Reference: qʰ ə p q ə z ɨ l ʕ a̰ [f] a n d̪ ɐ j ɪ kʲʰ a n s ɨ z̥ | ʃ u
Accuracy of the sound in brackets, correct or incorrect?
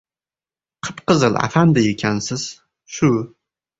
correct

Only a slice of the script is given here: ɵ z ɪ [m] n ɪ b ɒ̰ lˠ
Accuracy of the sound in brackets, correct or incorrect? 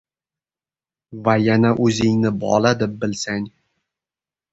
incorrect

